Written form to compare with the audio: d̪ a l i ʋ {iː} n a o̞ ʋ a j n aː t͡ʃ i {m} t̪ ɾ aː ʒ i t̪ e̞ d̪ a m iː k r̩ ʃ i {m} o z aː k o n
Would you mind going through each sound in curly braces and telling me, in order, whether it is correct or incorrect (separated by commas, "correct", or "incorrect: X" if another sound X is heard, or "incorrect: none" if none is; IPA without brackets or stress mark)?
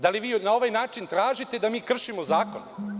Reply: correct, incorrect: n, correct